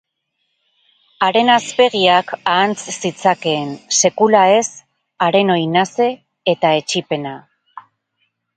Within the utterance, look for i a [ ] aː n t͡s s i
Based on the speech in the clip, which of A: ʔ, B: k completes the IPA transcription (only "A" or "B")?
B